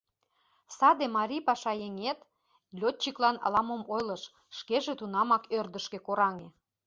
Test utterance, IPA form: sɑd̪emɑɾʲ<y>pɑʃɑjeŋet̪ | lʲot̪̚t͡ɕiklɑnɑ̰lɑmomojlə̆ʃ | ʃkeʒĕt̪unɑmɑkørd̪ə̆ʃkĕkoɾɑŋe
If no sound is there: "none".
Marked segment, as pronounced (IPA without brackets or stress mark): i